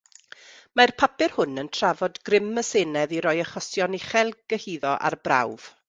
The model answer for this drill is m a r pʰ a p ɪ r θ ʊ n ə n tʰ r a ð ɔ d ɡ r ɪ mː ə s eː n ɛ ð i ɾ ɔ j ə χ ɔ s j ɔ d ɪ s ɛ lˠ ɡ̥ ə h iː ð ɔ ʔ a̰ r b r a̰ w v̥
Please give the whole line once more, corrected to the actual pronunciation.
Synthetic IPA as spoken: m a r pʰ a p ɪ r h ʊ n ə n tʰ r a v ɔ d ɡ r ɪ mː ə s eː n ɛ ð i ɾ ɔ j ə χ ɔ s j ɔ n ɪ χ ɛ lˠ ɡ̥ ə h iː ð ɔ ʔ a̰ r b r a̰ w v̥